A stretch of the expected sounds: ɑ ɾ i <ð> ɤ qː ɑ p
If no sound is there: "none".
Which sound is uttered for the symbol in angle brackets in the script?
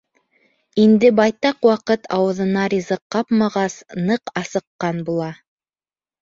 z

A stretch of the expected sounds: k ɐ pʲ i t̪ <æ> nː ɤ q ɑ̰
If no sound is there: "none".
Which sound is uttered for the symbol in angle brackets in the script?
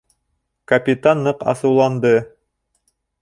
a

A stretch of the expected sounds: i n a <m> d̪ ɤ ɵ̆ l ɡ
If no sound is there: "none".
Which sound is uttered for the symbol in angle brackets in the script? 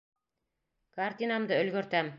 m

